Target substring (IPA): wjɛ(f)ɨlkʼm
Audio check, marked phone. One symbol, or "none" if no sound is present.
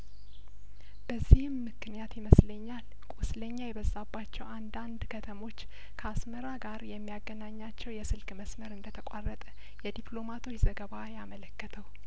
s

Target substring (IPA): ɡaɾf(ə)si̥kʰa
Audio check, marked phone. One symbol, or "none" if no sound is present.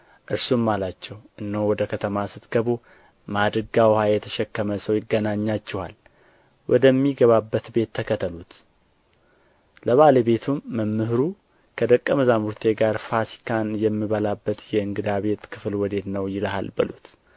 a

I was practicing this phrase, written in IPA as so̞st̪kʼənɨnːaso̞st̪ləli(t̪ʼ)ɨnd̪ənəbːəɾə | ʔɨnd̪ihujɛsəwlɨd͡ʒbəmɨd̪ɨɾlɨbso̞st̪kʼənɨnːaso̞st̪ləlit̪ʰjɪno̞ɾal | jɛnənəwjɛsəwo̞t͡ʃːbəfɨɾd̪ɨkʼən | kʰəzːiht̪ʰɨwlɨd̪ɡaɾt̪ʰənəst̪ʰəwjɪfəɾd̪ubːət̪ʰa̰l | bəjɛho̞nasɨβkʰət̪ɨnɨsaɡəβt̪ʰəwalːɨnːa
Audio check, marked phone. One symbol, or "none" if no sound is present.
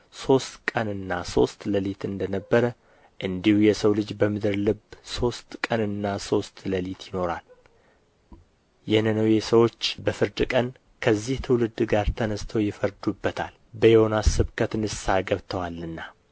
t̪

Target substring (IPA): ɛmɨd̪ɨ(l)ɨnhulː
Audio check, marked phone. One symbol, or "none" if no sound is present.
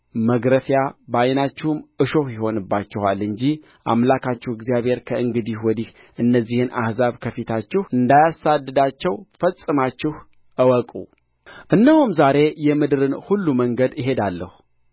ɾ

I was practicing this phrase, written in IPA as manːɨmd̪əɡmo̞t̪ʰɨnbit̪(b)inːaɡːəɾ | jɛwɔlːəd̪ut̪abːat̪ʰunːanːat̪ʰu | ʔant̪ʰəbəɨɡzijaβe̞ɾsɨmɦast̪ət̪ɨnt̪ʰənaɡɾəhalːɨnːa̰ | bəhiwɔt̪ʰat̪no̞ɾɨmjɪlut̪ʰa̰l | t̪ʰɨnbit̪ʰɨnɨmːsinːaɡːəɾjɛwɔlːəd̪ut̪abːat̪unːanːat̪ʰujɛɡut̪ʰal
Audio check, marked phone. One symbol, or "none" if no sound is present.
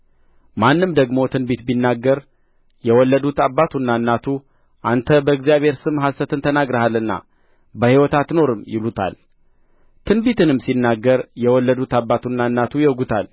b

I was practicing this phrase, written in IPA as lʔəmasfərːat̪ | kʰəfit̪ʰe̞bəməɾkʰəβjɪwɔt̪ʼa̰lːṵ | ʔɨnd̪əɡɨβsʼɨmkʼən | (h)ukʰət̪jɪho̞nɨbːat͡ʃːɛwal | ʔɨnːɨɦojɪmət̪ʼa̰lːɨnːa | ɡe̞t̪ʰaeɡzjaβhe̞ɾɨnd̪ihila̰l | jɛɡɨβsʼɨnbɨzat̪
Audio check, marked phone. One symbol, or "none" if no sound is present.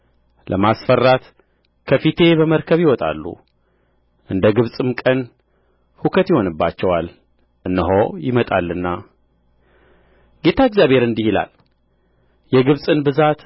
h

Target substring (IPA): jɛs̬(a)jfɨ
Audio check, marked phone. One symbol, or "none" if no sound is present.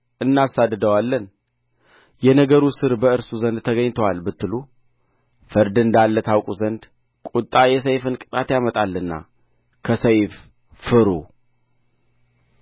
ə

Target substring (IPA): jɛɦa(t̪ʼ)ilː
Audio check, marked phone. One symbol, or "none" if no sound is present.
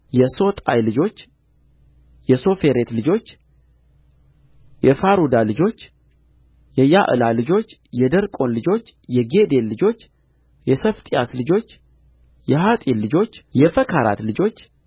t̪ʼ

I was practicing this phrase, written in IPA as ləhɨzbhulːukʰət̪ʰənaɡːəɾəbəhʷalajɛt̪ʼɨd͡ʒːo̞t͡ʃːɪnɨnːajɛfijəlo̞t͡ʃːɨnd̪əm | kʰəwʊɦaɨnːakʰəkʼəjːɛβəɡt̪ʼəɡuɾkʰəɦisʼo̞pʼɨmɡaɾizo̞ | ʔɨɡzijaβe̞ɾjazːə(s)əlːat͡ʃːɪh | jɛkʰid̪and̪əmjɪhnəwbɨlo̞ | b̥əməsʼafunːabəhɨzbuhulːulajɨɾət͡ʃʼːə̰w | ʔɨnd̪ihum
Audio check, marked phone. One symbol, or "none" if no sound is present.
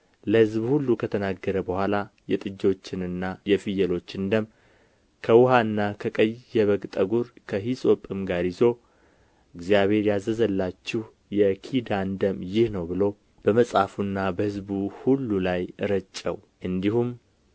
z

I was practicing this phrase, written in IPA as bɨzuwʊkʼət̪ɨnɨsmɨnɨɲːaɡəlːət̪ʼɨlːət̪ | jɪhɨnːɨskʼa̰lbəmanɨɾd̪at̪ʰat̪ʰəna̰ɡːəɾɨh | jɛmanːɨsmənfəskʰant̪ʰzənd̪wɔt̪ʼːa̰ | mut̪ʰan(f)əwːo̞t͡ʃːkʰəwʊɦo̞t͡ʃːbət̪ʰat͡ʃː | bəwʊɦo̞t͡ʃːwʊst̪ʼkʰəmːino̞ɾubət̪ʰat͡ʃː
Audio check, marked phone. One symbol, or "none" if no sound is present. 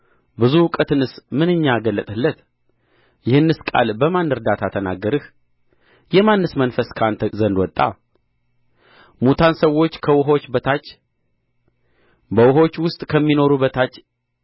s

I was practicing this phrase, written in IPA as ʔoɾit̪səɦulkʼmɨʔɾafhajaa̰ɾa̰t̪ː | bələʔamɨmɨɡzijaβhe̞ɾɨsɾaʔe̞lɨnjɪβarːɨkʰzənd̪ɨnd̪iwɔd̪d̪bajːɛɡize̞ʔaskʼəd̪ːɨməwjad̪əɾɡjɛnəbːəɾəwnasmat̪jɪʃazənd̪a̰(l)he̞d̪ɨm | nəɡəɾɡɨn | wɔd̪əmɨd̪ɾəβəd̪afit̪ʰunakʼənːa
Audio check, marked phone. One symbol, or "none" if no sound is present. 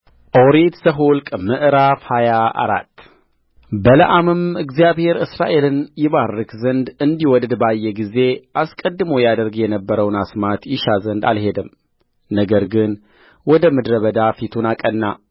l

